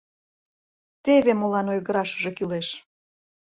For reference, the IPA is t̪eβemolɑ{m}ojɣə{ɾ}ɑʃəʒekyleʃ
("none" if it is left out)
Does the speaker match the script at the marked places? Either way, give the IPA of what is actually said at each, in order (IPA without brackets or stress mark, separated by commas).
n, ɾ